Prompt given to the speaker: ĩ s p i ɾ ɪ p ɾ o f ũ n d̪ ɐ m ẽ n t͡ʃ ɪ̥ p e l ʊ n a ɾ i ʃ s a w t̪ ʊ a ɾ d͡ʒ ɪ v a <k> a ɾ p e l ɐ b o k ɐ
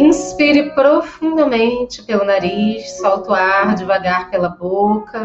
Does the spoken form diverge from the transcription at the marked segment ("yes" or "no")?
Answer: yes